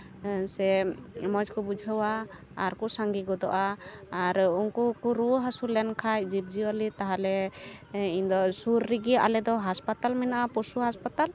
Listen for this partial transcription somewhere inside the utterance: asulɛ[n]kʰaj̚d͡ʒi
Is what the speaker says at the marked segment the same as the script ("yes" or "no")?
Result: yes